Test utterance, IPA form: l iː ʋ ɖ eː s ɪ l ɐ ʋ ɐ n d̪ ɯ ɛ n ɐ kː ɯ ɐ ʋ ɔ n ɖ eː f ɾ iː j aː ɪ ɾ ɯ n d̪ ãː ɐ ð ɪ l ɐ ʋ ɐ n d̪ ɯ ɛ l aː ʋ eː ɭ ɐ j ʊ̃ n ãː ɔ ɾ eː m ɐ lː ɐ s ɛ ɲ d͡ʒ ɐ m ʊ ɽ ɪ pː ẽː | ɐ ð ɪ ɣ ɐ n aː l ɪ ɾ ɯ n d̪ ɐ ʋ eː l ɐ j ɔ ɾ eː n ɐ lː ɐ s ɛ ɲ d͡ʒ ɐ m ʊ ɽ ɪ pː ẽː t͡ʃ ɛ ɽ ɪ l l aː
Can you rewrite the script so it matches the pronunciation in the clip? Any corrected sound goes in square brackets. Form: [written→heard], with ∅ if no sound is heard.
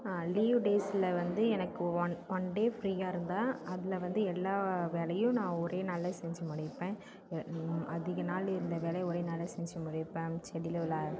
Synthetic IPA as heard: l iː ʋ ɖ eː s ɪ l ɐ ʋ ɐ n d̪ ɯ ɛ n ɐ kː ɯ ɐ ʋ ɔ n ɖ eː f ɾ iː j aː ɪ ɾ ɯ n d̪ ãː ɐ ð ɪ l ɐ ʋ ɐ n d̪ ɯ ɛ [l→lː] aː ʋ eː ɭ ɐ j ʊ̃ n ãː ɔ ɾ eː [m→n] ɐ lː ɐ s ɛ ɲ d͡ʒ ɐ m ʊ ɽ ɪ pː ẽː | ɐ ð ɪ ɣ ɐ n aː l ɪ ɾ ɯ n d̪ ɐ ʋ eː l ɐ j ɔ ɾ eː n ɐ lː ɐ s ɛ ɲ d͡ʒ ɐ m ʊ ɽ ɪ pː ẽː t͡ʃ ɛ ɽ ɪ l l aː